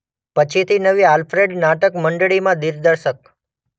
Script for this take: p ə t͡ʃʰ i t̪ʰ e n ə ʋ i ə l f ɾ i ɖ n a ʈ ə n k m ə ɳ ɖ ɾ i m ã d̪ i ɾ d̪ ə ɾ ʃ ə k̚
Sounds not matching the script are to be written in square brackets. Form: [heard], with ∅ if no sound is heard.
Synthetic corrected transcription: p ə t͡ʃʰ i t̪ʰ [i] n ə ʋ i [a] l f ɾ [e] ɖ n a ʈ ə [∅] k m ə ɳ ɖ [ɭ] i m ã d̪ i ɾ d̪ ə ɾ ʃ ə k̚